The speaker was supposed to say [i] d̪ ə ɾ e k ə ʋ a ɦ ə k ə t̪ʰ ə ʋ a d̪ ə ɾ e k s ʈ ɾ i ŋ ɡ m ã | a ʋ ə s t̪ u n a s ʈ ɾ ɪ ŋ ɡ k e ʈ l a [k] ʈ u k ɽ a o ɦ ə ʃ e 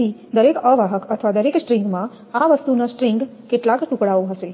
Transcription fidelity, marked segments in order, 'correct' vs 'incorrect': correct, correct

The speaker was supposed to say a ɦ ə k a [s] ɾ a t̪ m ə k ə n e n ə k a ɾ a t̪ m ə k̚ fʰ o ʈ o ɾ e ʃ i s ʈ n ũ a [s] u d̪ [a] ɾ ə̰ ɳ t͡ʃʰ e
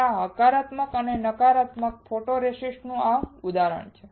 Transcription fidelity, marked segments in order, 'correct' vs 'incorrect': incorrect, incorrect, correct

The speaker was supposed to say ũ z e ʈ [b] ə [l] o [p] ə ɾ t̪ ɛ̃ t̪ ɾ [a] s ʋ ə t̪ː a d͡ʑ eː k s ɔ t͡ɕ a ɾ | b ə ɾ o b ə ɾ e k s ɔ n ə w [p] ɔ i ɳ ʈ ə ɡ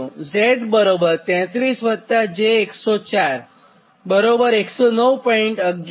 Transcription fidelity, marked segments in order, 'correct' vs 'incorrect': correct, incorrect, incorrect, incorrect, correct

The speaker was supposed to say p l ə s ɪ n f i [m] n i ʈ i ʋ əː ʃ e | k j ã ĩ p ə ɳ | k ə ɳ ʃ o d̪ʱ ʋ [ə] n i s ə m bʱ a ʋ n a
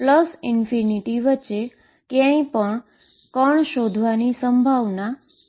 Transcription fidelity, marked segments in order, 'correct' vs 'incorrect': incorrect, incorrect

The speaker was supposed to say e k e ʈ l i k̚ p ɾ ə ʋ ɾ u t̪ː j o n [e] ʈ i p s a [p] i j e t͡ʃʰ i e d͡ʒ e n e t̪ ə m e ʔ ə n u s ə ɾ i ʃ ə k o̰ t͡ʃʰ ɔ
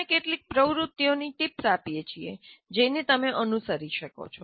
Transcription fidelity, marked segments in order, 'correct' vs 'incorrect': incorrect, correct

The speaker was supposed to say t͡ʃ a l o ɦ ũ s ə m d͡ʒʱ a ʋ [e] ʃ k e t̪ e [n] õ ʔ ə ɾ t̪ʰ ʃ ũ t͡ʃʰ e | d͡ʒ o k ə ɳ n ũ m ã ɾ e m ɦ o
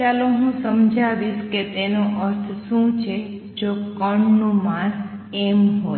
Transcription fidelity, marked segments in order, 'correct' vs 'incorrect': incorrect, correct

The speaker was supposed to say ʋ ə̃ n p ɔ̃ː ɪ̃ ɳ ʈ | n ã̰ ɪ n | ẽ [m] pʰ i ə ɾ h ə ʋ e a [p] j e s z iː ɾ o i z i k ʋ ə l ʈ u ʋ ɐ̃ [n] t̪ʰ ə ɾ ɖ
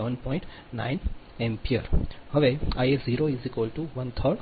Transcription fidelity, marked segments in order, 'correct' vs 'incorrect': correct, incorrect, correct

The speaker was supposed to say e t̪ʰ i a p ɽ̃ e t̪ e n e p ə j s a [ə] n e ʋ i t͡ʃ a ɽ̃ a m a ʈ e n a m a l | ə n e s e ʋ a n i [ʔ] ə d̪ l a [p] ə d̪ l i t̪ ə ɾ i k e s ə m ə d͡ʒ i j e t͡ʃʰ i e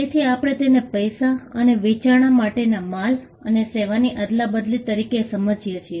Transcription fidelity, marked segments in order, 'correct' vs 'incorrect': correct, correct, incorrect

